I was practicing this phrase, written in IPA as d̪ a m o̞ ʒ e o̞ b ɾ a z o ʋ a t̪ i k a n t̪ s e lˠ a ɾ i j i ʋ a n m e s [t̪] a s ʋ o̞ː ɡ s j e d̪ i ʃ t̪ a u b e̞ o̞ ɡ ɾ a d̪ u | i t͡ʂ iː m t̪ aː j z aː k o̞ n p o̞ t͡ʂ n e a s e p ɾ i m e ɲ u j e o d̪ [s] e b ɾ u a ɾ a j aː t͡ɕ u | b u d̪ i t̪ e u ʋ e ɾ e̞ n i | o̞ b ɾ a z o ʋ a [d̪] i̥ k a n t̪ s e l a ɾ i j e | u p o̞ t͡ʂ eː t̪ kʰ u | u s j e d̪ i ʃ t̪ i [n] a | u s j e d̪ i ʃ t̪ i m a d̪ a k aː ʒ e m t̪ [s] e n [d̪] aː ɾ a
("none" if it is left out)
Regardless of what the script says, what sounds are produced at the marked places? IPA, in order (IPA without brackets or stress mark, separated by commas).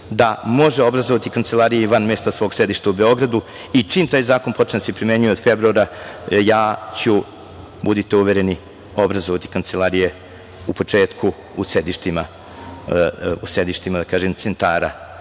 t̪, f, t̪, m, s, t̪